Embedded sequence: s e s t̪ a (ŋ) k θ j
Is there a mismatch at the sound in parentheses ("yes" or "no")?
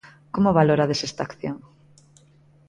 yes